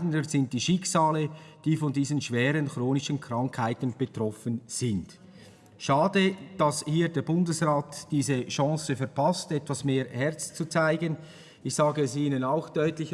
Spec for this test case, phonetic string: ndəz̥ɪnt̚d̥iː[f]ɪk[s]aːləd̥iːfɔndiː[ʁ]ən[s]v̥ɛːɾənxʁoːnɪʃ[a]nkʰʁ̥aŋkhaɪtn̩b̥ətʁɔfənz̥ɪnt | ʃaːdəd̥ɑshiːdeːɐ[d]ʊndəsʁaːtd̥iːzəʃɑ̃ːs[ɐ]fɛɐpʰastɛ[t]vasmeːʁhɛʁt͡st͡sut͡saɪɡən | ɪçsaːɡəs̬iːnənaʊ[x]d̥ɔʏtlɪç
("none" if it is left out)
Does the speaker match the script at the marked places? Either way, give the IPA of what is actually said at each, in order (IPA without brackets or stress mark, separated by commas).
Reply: ʃ, s, z, ʃ, ə, b, ə, t, x